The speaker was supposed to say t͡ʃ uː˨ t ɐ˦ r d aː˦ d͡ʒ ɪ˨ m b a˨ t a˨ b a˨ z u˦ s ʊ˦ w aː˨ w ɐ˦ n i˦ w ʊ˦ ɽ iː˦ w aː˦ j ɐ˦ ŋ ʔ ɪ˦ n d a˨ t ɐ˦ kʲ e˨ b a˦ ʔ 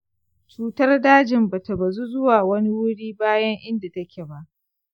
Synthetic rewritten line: t͡ʃ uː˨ t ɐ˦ r d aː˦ d͡ʒ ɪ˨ m b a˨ t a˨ b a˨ z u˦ z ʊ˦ w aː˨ w ɐ˦ n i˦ w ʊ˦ ɽ iː˦ b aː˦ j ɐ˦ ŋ ʔ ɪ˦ n d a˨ t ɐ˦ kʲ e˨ b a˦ ʔ